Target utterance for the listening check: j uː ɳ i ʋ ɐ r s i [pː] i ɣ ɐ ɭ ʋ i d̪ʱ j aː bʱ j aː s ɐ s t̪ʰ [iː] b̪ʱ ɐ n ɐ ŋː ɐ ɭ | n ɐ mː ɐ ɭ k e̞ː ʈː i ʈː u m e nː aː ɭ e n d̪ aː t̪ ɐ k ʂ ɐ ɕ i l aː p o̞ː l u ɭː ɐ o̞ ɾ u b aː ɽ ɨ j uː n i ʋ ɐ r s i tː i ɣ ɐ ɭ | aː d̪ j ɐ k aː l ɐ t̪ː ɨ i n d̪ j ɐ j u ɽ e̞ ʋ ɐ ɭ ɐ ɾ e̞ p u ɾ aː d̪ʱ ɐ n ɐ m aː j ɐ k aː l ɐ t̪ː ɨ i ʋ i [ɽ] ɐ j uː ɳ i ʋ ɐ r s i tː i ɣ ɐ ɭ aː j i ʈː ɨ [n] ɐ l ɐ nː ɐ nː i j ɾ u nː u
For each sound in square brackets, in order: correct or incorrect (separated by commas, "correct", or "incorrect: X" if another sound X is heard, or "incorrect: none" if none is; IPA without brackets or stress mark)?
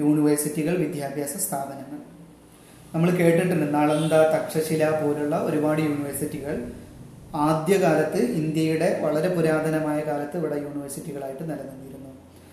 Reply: incorrect: tː, incorrect: aː, correct, correct